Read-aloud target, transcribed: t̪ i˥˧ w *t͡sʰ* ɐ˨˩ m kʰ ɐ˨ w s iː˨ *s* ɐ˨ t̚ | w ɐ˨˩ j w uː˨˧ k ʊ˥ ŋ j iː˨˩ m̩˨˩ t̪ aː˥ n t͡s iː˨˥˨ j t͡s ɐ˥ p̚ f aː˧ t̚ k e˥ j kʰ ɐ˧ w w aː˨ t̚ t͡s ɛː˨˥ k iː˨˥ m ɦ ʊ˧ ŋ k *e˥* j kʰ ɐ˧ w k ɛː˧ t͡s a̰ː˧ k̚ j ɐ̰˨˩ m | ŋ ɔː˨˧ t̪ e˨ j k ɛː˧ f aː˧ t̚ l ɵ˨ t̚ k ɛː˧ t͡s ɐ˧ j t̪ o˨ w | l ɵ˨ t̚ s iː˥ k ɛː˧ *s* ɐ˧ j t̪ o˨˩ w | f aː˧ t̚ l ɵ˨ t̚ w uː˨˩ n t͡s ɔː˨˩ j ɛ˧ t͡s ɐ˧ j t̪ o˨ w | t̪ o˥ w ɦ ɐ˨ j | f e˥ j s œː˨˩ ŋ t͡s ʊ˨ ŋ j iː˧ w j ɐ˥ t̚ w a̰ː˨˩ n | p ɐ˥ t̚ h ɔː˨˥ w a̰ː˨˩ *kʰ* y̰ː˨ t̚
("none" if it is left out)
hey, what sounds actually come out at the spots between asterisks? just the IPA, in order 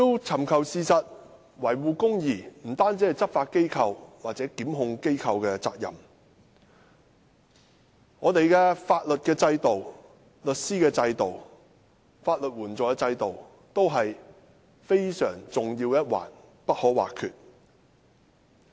t͡sʰ, s, e˥, t͡s, kʰ

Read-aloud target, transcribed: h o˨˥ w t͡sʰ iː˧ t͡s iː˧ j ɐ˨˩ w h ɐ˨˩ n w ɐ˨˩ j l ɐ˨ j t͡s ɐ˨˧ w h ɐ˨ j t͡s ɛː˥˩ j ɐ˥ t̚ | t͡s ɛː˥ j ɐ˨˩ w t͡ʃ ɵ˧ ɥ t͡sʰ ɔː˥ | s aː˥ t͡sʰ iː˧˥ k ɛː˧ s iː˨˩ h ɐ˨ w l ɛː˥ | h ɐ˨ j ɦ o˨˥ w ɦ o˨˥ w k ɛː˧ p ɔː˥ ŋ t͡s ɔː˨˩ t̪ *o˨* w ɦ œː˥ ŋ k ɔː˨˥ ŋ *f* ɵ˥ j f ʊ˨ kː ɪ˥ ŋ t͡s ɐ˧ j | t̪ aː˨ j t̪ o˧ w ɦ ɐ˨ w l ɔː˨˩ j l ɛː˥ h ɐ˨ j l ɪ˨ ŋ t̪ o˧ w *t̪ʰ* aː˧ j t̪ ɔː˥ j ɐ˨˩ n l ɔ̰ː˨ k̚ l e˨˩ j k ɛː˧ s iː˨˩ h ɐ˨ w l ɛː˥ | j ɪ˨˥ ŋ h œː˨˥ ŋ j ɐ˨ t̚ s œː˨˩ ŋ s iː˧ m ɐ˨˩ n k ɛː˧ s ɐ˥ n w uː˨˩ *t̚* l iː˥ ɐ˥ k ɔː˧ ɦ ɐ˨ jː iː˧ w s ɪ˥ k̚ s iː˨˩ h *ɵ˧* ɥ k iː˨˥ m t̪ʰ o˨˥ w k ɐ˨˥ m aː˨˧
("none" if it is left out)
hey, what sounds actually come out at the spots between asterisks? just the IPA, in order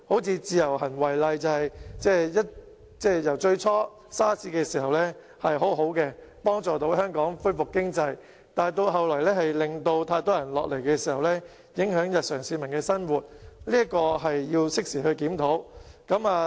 o˨˥, f, t̪ʰ, t̚, ɵ˧

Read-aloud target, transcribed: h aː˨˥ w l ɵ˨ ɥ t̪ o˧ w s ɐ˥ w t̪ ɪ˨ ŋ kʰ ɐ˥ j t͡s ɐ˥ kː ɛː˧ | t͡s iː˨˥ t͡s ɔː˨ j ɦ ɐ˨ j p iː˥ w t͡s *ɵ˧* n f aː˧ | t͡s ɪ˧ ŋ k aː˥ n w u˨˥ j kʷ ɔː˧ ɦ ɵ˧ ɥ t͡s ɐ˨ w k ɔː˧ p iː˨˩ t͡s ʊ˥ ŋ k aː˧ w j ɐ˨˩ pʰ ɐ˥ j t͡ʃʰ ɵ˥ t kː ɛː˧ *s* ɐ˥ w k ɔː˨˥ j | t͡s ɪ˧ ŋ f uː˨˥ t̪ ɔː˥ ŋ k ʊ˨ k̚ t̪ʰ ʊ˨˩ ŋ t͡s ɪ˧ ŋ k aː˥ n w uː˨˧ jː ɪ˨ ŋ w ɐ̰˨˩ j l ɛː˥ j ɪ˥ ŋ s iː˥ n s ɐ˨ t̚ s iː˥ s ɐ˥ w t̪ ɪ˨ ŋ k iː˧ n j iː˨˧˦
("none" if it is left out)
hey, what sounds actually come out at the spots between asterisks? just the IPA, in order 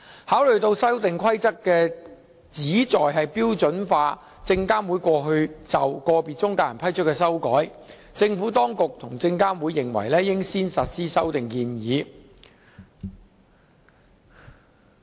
ɵ˨˥, s

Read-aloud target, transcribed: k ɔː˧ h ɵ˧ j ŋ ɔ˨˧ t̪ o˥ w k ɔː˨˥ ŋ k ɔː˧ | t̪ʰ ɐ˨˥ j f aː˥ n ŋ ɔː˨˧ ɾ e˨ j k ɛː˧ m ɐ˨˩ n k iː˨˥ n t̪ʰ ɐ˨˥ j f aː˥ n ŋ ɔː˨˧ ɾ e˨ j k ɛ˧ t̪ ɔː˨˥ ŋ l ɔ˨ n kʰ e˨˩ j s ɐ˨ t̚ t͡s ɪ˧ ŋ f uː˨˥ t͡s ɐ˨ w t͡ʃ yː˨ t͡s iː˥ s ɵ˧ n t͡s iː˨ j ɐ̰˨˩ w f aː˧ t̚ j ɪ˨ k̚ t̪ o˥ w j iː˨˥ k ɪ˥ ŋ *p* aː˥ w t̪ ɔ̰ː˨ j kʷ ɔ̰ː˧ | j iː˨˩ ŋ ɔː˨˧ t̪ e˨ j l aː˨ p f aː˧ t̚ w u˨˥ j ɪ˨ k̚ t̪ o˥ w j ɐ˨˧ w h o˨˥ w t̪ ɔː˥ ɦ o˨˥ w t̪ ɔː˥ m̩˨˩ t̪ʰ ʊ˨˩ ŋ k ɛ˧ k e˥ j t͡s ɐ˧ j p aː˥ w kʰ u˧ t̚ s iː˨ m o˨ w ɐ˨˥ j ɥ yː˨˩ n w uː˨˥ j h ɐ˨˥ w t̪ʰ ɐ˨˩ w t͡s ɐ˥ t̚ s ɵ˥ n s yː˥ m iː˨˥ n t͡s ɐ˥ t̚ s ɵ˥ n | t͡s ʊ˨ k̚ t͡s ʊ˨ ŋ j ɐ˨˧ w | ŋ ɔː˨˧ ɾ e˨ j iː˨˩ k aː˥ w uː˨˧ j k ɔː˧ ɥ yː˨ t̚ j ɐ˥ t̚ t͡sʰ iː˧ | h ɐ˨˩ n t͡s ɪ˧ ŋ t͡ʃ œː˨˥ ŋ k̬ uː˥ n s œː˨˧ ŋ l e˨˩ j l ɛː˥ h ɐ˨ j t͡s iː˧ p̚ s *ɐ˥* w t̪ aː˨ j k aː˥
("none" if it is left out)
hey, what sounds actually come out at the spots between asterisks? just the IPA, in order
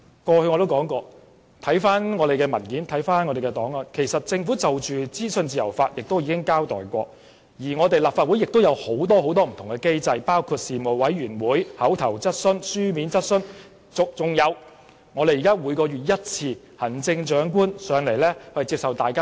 k, ɐ˨

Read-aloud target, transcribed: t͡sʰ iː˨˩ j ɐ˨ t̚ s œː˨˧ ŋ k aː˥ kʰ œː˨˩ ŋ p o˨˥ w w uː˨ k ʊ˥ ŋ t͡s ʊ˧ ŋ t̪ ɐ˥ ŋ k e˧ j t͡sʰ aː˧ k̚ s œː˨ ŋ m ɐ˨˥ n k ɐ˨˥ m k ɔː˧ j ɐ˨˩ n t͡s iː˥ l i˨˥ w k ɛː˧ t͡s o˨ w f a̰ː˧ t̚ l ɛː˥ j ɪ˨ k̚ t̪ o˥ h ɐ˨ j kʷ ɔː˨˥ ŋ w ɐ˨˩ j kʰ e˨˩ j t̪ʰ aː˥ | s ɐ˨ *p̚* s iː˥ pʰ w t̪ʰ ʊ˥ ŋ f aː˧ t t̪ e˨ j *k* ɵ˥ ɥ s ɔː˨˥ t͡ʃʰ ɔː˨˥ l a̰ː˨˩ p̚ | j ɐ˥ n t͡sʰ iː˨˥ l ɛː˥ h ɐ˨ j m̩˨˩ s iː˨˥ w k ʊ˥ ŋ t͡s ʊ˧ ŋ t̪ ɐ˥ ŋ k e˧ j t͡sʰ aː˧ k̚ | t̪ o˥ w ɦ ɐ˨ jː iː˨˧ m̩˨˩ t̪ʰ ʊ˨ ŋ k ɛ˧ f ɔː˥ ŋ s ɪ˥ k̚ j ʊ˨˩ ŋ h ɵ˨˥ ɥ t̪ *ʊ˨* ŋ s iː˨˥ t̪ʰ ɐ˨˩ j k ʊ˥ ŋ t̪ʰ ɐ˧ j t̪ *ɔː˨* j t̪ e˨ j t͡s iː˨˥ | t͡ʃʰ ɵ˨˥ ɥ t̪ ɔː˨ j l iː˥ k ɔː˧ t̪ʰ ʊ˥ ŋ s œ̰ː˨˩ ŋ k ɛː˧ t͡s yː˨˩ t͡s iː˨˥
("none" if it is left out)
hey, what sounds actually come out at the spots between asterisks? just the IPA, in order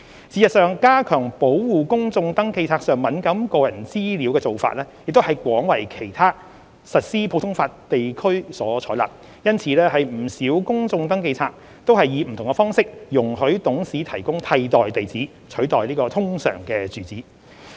t̚, kʰ, ʊ˨˥, ɔː˨

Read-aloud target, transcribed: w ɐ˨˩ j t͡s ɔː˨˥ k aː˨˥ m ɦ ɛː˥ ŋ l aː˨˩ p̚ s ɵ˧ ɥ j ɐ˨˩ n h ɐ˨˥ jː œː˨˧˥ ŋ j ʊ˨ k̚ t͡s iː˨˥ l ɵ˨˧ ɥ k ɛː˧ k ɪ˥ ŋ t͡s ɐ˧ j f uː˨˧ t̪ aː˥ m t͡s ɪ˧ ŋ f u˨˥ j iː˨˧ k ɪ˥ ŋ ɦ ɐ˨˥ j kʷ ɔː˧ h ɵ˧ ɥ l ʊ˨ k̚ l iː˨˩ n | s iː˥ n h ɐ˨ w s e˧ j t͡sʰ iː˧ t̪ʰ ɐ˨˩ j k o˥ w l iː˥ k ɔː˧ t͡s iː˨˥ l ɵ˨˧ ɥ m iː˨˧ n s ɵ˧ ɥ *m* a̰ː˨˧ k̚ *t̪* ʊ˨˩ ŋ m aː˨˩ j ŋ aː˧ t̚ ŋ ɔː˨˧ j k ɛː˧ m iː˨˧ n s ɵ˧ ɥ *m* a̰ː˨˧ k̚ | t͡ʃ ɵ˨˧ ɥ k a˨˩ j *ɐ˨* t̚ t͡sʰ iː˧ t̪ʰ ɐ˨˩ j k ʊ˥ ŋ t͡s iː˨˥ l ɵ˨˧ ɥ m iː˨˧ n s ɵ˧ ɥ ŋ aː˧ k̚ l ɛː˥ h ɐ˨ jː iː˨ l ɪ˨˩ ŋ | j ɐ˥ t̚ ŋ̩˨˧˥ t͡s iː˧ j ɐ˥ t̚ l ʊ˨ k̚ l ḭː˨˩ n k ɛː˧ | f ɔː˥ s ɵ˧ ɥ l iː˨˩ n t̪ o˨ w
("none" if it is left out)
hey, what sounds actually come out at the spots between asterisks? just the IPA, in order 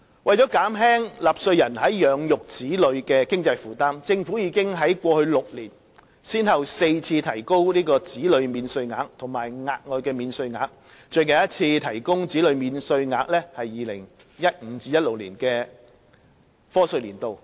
ŋ, t̪ʰ, ŋ, ɐ˥

